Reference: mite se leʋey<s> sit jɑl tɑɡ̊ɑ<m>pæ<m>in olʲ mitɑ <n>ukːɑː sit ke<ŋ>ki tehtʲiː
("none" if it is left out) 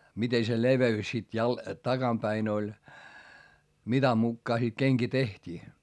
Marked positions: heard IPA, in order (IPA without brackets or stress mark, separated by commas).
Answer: s, m, none, m, ŋ